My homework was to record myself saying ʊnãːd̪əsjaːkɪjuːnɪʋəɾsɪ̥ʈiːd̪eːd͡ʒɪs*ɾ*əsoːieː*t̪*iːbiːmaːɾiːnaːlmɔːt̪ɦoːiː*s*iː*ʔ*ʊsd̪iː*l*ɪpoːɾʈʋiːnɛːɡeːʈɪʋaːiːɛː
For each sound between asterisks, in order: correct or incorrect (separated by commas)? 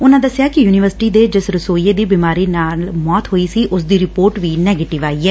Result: correct, incorrect, correct, correct, incorrect